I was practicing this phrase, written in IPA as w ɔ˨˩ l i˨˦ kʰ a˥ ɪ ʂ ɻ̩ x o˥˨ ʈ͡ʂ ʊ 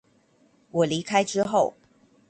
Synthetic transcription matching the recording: w ɔ˨˩ l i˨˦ kʰ a˥ ɪ ʈ͡ʂ ɻ̩ x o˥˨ ʊ